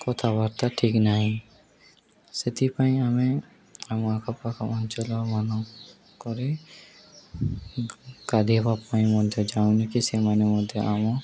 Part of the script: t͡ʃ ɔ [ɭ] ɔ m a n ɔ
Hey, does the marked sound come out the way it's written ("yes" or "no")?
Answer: no